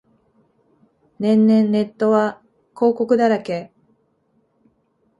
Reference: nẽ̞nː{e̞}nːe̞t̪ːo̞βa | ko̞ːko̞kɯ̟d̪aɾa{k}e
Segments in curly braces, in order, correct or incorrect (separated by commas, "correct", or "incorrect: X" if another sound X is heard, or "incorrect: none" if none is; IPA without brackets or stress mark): incorrect: ẽ̞, correct